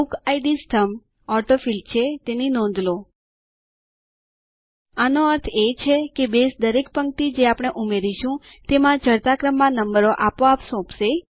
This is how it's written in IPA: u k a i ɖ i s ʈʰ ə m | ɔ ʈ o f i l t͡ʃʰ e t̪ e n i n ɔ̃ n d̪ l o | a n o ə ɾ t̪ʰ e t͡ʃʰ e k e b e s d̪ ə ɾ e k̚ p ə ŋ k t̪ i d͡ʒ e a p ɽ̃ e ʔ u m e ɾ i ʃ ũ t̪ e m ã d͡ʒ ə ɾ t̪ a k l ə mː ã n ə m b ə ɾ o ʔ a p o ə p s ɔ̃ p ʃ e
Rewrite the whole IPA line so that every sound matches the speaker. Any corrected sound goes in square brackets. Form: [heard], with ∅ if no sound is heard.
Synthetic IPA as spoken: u k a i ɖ i s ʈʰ ə m | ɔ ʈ o f i l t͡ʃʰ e t̪ e n i n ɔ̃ n d̪ l o | a n o ə ɾ t̪ʰ e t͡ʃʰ e k e b e s d̪ ə ɾ e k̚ p ə ŋ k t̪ i d͡ʒ e a p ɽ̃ e ʔ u m e ɾ i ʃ ũ t̪ e m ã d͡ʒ ə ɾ t̪ a k [ɾ] ə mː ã n ə m b ə ɾ o ʔ a p o [a] p s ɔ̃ p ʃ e